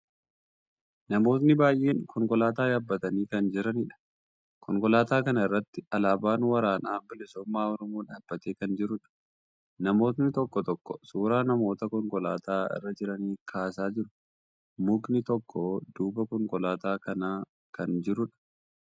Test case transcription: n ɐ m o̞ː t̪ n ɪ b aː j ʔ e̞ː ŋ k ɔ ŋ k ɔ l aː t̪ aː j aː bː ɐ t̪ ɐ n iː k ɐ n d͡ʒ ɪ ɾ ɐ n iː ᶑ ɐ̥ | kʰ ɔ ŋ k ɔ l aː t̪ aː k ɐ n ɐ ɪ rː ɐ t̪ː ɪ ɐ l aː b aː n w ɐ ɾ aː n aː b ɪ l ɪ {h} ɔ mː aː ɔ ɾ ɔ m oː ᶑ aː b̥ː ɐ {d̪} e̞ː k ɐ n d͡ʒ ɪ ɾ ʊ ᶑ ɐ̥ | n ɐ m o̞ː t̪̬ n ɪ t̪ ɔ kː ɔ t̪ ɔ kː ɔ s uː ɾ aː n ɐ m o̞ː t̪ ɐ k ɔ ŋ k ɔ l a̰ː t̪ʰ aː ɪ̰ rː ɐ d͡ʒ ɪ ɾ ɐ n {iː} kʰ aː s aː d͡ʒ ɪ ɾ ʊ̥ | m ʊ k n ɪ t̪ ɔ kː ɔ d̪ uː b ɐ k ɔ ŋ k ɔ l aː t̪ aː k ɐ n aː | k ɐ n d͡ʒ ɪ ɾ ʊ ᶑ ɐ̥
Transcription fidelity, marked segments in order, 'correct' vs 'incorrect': incorrect: s, incorrect: t̪, correct

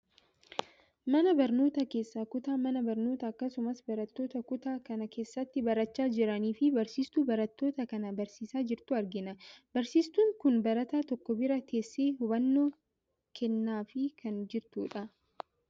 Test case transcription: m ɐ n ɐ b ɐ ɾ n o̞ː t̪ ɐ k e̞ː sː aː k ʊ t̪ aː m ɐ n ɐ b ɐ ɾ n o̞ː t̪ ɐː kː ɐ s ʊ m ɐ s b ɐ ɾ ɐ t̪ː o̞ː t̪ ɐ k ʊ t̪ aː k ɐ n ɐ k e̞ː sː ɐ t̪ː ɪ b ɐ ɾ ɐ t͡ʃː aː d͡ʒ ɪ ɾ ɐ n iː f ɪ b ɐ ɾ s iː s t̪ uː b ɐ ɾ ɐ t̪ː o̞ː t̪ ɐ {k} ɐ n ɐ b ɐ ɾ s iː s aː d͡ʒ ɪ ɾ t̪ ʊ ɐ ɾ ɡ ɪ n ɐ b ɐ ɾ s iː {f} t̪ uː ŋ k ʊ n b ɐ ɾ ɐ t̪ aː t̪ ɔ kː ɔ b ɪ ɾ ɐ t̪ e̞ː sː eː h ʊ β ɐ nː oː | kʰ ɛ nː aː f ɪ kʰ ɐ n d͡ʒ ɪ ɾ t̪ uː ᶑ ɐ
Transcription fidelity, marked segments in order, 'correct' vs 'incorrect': correct, incorrect: s

